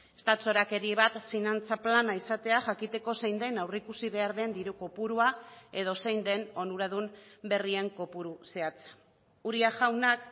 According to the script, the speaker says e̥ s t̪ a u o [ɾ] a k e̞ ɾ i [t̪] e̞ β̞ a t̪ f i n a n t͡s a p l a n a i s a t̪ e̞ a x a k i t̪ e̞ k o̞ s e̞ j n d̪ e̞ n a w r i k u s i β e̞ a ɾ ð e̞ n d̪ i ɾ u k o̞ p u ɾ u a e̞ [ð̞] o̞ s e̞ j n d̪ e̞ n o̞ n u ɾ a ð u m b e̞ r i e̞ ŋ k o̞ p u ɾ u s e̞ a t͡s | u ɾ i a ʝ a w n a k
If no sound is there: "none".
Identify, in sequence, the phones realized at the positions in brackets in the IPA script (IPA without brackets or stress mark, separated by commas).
ɾ, none, ð̞